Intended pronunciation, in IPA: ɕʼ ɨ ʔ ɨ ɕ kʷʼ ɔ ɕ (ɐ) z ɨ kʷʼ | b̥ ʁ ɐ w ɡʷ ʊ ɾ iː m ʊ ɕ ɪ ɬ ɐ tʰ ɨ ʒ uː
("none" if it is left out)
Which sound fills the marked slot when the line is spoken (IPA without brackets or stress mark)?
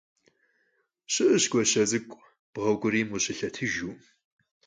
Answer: ɐ